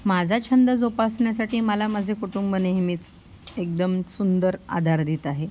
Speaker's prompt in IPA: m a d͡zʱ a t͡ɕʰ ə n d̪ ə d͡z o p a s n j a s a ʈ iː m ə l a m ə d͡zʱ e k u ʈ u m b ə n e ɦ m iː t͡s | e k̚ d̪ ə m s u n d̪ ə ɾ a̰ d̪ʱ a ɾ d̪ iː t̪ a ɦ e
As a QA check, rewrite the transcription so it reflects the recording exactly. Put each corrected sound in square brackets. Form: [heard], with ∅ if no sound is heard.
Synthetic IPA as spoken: m a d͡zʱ a t͡ɕʰ ə n d̪ ə d͡z o p a s [ɳ] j a s a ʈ iː m ə l a m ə d͡zʱ e k u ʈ u m b ə n e ɦ m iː t͡s | e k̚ d̪ ə m s u n d̪ ə ɾ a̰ d̪ʱ a ɾ d̪ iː t̪ a ɦ e